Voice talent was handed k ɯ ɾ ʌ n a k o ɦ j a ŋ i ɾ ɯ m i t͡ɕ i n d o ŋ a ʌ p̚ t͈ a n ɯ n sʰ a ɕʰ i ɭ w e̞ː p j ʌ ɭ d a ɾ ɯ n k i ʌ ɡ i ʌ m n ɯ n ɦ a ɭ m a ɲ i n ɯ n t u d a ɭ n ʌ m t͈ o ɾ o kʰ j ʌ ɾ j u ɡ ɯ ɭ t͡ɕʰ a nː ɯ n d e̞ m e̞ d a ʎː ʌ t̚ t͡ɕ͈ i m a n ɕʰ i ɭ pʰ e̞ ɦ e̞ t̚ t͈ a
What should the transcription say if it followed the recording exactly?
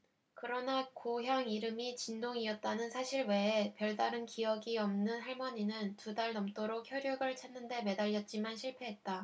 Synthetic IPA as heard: k ɯ ɾ ʌ n a k o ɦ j a ŋ i ɾ ɯ m i t͡ɕ i n d o ŋ i ʌ t̚ t͈ a n ɯ n sʰ a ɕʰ i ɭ w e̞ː p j ʌ ɭ d a ɾ ɯ n k i ʌ ɡ i ʌ m n ɯ n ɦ a ɭ m ʌ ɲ i n ɯ n t u d a ɭ n ʌ m t͈ o ɾ o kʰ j ʌ ɾ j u ɡ ɯ ɭ t͡ɕʰ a nː ɯ n d e̞ m e̞ d a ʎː ʌ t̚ t͡ɕ͈ i m a n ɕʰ i ɭ pʰ e̞ ɦ e̞ t̚ t͈ a